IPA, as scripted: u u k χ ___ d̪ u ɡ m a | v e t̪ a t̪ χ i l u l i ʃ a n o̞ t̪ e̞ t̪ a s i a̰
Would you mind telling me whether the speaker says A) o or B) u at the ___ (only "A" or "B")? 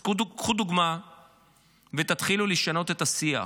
B